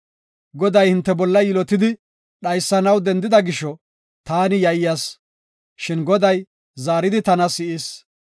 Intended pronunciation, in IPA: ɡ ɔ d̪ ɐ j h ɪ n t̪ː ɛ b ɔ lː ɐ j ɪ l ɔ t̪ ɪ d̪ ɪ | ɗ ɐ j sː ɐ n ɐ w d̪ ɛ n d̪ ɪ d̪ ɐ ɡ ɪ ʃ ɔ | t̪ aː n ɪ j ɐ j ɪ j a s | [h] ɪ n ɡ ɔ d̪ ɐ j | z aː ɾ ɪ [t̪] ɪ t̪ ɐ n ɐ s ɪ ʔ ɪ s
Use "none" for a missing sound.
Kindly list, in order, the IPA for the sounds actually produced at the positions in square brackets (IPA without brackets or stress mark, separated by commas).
ʃ, d̪